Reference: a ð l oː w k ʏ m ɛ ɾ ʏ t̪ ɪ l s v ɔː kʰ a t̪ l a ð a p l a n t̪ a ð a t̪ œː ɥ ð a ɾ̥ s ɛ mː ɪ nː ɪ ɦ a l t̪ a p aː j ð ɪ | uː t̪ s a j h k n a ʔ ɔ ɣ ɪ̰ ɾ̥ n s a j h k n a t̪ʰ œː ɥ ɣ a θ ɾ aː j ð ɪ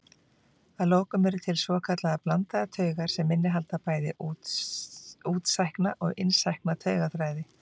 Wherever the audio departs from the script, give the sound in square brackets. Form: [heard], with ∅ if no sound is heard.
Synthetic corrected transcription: a ð l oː w k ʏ m ɛ ɾ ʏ [t̪ʰ] ɪ l s v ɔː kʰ a t̪ l a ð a p l a n t̪ a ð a [t̪ʰ] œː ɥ [ɣ] a ɾ̥ s ɛ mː ɪ nː ɪ ɦ a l t̪ a p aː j ð ɪ | uː t̪ s a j h k n a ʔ ɔ ɣ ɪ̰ [∅] n s a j h k n a t̪ʰ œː ɥ ɣ a θ ɾ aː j ð ɪ